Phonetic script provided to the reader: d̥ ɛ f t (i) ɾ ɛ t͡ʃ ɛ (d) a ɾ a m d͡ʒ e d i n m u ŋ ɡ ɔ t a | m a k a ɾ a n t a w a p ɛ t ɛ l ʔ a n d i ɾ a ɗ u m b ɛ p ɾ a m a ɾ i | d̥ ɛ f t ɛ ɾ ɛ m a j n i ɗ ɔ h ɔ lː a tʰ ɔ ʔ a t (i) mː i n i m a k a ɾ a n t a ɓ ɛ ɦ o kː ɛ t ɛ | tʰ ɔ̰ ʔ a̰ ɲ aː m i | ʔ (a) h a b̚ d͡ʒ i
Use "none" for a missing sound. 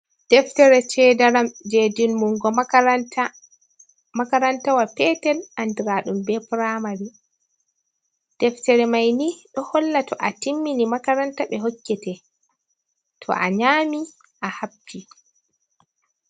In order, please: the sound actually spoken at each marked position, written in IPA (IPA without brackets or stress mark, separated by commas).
ɛ, d, i, a